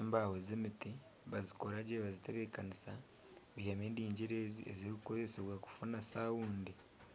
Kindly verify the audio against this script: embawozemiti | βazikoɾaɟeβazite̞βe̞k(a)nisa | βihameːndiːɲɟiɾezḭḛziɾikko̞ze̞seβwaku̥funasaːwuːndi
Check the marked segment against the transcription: correct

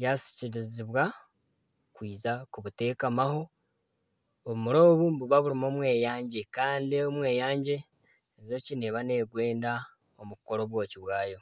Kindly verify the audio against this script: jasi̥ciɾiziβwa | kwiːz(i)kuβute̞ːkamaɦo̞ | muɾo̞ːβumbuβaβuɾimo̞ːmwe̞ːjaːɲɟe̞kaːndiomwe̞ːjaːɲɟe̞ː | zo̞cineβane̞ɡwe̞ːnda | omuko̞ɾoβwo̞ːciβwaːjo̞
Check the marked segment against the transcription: incorrect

